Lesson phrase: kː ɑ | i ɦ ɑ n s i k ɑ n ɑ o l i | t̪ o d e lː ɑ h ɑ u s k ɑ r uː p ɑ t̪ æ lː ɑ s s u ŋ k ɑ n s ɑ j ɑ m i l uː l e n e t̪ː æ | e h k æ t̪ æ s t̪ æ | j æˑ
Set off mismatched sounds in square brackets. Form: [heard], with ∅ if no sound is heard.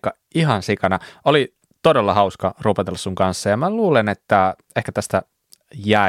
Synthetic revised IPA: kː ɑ | i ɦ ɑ n s i k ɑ n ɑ o l i | t̪ o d e lː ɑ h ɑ u s k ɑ r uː p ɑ t̪ [e] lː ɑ s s u ŋ k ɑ n [sː] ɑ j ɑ m [æ] l uː l e n e t̪ː æ | e h k æ t̪ æ s t̪ æ | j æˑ